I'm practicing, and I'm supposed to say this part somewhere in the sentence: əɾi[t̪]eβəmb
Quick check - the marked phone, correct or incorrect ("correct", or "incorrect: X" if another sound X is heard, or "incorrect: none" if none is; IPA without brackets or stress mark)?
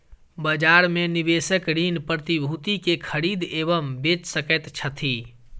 incorrect: d̪